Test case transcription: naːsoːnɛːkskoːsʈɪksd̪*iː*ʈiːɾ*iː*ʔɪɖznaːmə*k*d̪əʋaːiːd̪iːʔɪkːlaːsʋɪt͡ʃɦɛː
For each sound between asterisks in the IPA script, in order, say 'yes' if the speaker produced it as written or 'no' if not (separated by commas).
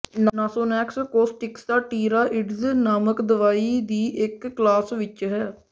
no, no, yes